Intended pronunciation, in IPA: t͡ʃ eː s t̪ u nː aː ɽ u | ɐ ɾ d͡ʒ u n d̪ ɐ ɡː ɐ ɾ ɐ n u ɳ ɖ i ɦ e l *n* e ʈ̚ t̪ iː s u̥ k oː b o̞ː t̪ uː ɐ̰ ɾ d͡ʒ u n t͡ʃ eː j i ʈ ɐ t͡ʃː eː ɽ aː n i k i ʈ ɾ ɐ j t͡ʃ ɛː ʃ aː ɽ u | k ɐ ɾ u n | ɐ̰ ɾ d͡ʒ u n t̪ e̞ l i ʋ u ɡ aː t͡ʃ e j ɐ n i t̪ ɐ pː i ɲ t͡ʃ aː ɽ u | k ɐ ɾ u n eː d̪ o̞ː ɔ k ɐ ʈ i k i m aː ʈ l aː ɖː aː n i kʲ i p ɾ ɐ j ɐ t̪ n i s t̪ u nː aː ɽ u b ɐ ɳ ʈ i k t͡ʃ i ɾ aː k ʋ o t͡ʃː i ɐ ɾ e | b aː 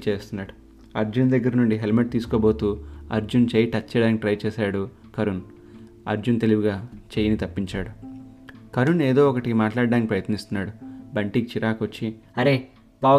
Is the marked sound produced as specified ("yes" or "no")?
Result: no